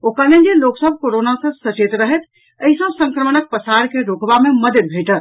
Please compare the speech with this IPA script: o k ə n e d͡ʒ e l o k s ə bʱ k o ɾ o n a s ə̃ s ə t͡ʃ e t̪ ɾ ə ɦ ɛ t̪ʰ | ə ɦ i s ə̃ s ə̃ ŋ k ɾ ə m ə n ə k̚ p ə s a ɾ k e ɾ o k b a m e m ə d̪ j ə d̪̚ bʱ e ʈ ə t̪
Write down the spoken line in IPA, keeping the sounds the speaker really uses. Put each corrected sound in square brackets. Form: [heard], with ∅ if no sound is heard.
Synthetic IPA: o k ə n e d͡ʒ e l o k s ə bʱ k o ɾ o n a s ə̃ s ə t͡ʃ e t̪ ɾ ə ɦ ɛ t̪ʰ | ə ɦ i s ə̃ s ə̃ ŋ k ɾ ə m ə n ə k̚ p ə s a ɾ k e ɾ o k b a m e m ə d̪ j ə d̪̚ bʱ e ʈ ə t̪